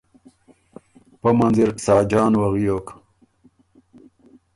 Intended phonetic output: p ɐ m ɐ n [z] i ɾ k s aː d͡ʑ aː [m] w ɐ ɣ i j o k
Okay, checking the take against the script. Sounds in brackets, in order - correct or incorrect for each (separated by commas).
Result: correct, incorrect